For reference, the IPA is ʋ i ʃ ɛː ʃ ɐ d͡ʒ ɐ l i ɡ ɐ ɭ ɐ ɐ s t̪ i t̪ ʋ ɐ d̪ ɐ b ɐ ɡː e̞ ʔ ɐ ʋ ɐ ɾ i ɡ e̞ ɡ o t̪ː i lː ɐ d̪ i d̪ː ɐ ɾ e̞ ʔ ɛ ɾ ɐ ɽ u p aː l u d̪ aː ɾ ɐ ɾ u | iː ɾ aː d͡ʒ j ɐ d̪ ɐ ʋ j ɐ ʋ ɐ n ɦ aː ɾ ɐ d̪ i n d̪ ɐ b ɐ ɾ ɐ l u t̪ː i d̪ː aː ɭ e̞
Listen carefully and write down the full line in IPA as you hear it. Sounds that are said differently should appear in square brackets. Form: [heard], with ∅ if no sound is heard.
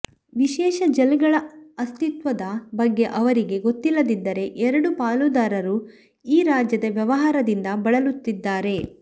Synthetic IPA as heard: ʋ i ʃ ɛː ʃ ɐ d͡ʒ ɐ l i ɡ ɐ ɭ ɐ ɐ s t̪ i t̪ ʋ ɐ d̪ ɐ b ɐ ɡː e̞ ʔ ɐ ʋ ɐ ɾ i ɡ e̞ ɡ o t̪ː i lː ɐ d̪ i d̪ː ɐ ɾ e̞ ʔ ɛ ɾ ɐ ɽ u p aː l u d̪ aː ɾ ɐ ɾ u | iː ɾ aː d͡ʒ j ɐ d̪ ɐ ʋ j ɐ ʋ ɐ [∅] ɦ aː ɾ ɐ d̪ i n d̪ ɐ b ɐ [ɭ] ɐ l u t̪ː i d̪ː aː [ɾ] e̞